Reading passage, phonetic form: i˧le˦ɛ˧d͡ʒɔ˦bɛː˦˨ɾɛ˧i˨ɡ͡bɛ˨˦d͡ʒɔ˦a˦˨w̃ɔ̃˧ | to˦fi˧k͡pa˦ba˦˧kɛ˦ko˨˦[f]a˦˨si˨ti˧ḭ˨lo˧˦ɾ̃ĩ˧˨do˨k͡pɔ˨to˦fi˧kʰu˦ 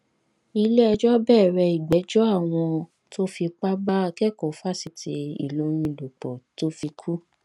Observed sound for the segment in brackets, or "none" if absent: f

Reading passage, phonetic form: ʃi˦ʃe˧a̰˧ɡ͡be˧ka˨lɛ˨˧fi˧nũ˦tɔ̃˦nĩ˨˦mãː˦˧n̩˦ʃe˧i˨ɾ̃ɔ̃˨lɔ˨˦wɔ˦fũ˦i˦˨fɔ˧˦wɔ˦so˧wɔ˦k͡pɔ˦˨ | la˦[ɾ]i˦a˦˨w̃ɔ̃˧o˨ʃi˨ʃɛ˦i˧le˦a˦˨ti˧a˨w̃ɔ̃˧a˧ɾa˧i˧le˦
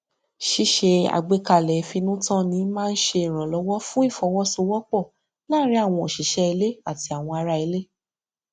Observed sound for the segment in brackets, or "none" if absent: ɾ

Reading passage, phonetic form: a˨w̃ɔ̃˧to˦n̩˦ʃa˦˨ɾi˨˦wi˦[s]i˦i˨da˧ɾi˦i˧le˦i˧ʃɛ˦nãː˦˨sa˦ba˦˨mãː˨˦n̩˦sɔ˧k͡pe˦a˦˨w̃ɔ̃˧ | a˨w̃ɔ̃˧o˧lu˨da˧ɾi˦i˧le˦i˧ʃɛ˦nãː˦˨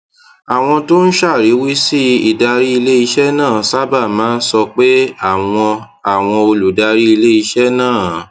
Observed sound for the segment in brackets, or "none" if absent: s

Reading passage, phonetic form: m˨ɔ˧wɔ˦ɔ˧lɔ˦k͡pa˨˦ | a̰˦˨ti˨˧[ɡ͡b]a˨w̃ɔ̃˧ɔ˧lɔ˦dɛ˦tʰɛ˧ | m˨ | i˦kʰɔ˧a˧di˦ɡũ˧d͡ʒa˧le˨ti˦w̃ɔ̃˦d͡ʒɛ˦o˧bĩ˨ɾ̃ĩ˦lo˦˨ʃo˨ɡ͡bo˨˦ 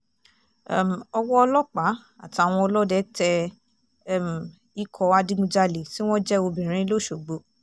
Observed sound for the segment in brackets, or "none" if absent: none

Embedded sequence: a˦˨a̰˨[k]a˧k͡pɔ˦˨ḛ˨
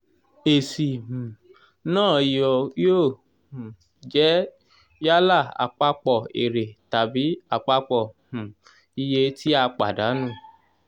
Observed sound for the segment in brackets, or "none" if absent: k͡p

